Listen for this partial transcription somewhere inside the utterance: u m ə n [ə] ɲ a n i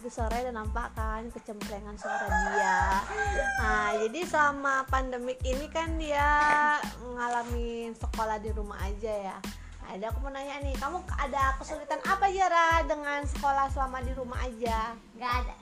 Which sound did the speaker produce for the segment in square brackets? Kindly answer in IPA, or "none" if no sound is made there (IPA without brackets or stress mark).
a